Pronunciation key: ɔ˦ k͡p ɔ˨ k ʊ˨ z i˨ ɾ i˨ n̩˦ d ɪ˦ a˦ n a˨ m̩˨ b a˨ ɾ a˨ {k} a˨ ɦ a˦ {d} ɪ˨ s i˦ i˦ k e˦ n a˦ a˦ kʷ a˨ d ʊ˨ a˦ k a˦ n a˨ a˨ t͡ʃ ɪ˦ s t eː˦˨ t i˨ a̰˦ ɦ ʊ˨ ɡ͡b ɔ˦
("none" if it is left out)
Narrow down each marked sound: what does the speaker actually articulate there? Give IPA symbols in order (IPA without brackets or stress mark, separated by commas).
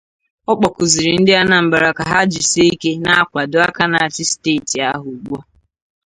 k, d͡ʒ